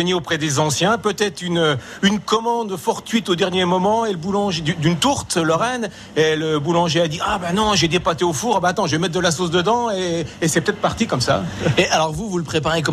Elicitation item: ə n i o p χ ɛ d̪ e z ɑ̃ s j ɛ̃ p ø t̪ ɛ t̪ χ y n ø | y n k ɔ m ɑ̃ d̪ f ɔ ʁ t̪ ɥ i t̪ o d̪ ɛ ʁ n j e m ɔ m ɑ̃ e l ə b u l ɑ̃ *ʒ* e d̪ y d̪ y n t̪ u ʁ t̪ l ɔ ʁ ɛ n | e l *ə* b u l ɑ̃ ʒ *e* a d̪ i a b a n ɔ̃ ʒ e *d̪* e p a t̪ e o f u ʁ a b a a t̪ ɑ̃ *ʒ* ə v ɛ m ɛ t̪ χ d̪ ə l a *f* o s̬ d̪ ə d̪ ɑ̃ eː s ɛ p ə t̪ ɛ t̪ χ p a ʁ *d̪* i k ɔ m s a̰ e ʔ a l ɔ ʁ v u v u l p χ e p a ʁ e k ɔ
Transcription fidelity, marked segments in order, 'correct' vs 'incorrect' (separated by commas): correct, correct, correct, correct, correct, incorrect, incorrect